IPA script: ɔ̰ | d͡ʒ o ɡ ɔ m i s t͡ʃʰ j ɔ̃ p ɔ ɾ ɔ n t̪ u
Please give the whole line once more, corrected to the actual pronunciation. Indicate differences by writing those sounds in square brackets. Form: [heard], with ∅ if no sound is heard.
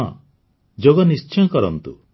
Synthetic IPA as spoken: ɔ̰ | d͡ʒ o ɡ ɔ [n] i s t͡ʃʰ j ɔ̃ [k] ɔ ɾ ɔ n t̪ u